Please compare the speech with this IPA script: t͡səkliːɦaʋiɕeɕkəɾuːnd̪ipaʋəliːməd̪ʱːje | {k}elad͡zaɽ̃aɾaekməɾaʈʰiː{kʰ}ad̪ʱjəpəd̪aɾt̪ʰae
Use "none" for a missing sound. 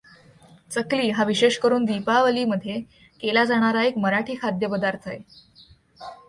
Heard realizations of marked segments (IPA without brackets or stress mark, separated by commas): k, kʰ